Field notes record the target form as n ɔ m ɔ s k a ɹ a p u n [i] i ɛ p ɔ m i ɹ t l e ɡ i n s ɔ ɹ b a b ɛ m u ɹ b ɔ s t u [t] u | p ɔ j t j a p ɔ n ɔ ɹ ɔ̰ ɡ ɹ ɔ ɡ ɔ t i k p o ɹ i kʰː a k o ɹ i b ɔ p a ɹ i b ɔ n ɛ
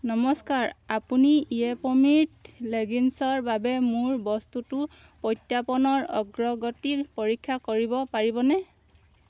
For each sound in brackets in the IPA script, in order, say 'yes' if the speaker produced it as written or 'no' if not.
yes, yes

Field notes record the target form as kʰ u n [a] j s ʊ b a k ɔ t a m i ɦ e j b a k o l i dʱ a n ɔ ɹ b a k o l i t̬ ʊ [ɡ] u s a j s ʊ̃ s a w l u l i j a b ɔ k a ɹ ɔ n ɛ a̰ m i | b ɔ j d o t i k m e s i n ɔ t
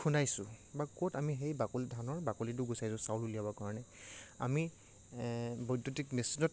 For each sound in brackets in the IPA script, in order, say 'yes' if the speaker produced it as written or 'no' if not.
yes, yes

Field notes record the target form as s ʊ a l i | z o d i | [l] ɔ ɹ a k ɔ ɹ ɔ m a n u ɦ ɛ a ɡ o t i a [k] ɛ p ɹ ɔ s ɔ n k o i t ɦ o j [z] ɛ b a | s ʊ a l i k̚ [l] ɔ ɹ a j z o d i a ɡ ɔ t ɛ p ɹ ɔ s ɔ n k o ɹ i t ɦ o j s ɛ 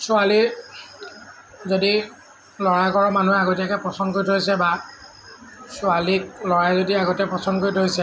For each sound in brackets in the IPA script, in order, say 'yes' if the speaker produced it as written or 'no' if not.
yes, yes, no, yes

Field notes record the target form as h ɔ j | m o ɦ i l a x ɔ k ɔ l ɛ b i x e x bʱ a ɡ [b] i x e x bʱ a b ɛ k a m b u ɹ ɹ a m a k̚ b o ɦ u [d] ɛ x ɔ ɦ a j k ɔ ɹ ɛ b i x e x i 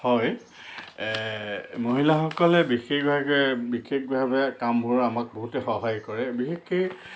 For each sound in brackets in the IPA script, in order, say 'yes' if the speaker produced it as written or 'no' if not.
yes, no

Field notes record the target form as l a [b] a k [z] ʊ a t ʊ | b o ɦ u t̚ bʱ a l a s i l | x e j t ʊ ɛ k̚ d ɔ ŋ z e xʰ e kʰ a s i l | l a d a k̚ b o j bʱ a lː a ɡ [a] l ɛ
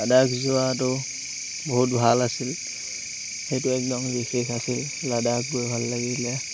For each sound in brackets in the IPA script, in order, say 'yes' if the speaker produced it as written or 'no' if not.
no, yes, no

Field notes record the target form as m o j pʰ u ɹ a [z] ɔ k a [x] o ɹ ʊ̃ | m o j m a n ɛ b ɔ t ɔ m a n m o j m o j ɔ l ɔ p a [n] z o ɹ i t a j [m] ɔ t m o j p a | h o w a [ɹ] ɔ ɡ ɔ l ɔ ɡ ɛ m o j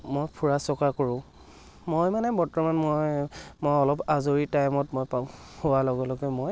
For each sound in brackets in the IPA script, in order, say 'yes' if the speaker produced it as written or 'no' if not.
no, no, no, yes, no

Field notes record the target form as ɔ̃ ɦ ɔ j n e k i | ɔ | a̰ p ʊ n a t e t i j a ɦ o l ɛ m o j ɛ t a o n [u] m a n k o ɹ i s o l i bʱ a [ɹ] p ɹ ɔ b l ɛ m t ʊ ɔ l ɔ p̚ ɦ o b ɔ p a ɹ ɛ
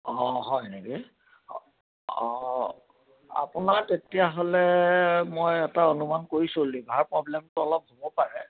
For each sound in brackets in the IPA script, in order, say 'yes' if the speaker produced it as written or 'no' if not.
yes, yes

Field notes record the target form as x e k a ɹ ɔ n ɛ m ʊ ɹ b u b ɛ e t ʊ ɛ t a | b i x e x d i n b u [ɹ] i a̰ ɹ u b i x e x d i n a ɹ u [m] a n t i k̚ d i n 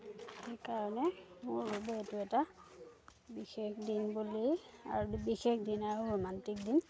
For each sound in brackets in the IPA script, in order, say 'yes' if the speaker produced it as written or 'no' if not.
no, yes

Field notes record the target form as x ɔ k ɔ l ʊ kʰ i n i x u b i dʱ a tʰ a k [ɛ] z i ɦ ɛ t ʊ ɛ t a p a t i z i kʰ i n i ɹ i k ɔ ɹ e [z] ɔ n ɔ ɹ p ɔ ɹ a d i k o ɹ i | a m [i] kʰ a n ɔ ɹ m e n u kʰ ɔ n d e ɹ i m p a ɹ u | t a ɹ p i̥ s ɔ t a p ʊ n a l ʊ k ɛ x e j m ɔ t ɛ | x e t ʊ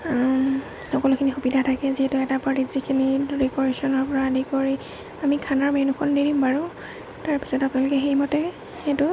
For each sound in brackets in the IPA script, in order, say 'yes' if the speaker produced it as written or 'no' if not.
yes, no, yes

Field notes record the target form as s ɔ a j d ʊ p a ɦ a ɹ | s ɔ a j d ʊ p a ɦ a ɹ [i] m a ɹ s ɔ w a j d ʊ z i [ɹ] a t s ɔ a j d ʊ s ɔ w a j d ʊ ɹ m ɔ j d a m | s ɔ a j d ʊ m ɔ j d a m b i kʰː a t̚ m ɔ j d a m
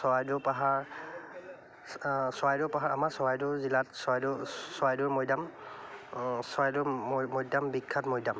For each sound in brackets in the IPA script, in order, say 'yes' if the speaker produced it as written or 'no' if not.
no, no

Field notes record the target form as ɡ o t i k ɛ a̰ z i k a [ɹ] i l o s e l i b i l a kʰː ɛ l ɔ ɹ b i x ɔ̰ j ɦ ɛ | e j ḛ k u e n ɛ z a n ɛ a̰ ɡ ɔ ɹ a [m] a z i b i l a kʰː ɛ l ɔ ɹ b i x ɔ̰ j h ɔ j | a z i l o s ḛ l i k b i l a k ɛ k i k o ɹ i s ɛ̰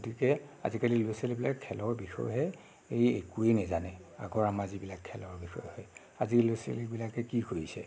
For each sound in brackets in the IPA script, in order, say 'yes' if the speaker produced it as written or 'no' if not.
no, yes

